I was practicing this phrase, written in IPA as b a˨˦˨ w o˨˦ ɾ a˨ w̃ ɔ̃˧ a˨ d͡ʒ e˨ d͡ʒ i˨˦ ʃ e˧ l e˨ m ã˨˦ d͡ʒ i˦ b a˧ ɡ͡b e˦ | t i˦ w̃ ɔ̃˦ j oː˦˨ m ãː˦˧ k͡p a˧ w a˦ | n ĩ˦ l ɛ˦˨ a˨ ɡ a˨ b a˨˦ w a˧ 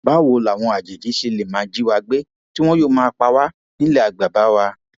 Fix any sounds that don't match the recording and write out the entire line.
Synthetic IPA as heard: b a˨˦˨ w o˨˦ l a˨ w̃ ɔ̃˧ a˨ d͡ʒ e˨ d͡ʒ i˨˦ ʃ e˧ l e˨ m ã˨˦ d͡ʒ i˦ w a˧ ɡ͡b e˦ | t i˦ w̃ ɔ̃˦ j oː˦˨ m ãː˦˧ k͡p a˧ w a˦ | n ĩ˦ l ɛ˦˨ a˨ ɡ͡b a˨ b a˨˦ w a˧